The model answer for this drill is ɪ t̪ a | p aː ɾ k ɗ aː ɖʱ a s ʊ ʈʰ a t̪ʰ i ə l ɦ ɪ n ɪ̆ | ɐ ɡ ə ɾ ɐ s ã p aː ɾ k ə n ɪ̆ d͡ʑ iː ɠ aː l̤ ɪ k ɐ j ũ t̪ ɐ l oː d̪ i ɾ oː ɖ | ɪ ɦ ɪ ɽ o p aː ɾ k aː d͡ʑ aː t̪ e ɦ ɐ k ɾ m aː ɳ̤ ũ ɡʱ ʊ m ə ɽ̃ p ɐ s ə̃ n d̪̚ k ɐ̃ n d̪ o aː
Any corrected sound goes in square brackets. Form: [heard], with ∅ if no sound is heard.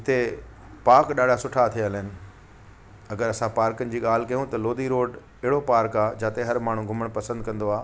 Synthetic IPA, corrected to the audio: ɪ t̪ [e] | p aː ɾ k ɗ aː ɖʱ a s ʊ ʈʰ a t̪ʰ i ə l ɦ ɪ n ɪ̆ | ɐ ɡ ə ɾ ɐ s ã p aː ɾ k ə n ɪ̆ d͡ʑ iː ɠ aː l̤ ɪ k ɐ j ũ t̪ ɐ l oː d̪ i ɾ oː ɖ | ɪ ɦ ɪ ɽ o p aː ɾ k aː d͡ʑ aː t̪ e ɦ ɐ [∅] ɾ m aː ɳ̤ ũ ɡʱ ʊ m ə ɽ̃ p ɐ s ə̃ n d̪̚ k ɐ̃ n d̪ o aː